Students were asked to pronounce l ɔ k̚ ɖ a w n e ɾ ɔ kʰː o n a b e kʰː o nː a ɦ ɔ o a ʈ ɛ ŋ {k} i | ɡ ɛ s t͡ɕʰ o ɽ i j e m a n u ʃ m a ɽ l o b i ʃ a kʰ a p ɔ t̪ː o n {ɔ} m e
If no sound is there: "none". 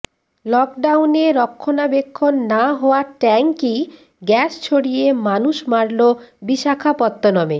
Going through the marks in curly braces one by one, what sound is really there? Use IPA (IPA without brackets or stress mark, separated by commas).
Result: k, ɔ